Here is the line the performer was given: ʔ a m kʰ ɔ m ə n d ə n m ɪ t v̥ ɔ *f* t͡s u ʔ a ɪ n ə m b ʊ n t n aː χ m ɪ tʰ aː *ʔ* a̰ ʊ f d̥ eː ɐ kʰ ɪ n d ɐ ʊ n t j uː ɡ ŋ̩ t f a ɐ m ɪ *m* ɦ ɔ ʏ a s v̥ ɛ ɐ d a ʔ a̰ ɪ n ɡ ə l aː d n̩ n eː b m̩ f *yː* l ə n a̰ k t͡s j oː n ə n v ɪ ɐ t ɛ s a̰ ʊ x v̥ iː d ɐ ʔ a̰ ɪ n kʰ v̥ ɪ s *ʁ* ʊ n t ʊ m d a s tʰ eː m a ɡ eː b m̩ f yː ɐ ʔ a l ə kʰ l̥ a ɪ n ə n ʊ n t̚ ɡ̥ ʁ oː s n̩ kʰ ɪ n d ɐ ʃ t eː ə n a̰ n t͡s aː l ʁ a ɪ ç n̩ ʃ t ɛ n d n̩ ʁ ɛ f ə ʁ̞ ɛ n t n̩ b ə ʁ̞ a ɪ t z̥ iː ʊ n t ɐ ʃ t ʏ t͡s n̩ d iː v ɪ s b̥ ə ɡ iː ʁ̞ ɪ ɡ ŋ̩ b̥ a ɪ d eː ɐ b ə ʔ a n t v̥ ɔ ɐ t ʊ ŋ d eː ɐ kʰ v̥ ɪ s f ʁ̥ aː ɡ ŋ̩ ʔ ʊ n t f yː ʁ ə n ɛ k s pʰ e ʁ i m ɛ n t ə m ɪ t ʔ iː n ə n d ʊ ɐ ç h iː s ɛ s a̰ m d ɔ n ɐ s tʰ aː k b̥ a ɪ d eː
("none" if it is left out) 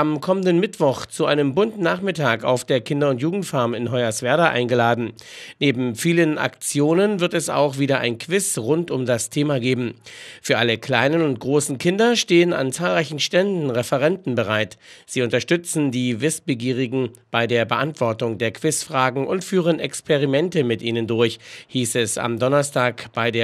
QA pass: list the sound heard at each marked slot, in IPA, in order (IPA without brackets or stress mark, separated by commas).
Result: χ, k, n, iː, ʁ